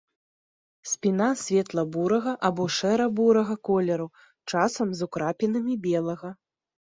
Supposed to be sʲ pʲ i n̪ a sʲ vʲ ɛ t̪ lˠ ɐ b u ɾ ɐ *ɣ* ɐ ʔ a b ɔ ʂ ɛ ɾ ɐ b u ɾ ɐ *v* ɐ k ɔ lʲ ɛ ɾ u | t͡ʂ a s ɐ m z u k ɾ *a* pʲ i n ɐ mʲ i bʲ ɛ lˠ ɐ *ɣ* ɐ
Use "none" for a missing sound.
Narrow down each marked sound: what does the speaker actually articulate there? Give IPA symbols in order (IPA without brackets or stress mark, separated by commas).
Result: ɣ, ɣ, a, ɣ